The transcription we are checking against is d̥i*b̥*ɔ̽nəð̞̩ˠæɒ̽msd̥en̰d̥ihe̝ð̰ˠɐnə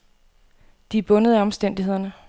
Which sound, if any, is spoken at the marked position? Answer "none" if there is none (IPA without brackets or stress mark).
b̥